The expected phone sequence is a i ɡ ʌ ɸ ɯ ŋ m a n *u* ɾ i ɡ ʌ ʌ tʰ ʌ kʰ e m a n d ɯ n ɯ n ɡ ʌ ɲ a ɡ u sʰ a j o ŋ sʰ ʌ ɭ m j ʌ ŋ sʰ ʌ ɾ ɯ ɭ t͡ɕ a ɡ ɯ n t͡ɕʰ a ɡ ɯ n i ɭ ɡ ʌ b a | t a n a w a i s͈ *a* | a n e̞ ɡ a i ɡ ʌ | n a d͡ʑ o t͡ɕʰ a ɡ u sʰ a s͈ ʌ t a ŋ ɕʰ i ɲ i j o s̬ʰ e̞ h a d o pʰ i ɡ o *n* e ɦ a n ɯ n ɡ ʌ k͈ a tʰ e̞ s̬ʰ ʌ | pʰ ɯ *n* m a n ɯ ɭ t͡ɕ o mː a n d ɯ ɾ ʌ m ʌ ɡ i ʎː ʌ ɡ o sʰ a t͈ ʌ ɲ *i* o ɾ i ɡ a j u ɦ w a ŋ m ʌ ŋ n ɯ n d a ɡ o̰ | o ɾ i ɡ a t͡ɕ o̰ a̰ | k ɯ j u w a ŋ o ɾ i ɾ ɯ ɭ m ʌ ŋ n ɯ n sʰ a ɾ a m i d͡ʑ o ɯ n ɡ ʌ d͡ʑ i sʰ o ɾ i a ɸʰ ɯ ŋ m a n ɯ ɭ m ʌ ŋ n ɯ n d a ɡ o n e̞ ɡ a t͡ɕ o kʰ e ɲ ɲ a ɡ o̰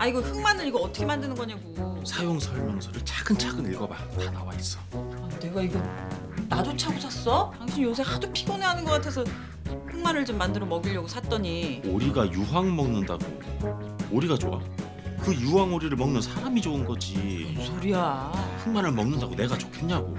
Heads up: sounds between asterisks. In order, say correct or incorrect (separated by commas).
incorrect, incorrect, correct, incorrect, correct